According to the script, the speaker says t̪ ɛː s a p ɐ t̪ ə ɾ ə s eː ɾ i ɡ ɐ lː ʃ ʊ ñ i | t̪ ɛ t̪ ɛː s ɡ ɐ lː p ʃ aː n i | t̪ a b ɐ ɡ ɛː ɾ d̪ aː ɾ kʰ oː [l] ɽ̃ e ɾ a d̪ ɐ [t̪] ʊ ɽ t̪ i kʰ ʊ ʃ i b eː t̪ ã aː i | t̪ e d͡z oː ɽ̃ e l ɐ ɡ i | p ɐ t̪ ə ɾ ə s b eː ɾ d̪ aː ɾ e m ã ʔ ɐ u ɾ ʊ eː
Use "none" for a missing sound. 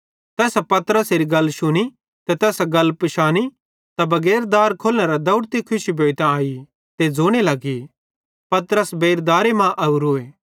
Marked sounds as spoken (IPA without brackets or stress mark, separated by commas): l, none